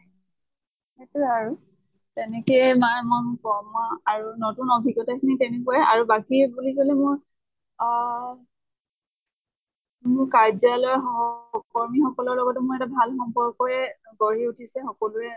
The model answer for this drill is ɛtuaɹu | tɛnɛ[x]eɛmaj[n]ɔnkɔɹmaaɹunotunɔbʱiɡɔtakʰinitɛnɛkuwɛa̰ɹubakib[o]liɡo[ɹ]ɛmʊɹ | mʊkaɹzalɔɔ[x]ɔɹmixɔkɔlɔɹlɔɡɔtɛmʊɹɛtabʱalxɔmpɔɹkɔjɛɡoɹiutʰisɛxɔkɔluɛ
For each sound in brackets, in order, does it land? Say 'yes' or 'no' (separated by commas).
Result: no, no, no, no, no